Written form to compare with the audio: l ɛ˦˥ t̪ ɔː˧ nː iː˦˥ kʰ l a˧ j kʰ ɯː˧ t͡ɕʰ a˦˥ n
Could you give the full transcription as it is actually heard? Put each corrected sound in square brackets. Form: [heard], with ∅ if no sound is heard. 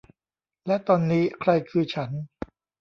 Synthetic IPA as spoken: l ɛ˦˥ t̪ ɔː˧ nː iː˦˥ kʰ [ɾ] a˧ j kʰ ɯː˧ t͡ɕʰ a˦˥ n